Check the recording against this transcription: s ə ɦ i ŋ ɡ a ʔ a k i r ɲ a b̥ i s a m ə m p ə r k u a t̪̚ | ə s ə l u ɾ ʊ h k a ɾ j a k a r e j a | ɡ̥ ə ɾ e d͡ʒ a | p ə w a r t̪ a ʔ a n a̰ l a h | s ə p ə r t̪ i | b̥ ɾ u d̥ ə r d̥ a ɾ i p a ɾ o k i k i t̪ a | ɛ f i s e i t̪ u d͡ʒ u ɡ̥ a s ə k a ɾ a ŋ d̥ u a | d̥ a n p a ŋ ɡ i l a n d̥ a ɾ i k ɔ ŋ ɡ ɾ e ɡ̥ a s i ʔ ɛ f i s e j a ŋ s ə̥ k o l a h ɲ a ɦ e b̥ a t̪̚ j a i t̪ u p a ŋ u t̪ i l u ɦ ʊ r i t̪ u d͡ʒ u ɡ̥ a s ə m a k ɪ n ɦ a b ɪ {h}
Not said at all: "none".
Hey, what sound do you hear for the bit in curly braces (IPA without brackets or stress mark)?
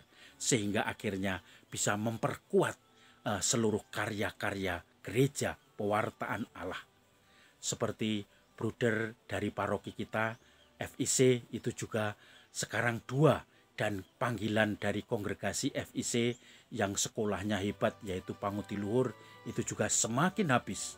s